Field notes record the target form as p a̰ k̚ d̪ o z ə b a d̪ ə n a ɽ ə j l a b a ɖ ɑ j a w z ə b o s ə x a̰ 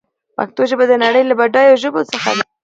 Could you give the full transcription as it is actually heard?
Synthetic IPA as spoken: p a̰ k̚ t̪ o ʒ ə b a d̪ ə n a ɽ ə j l a b a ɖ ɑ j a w ʒ ə b o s ə x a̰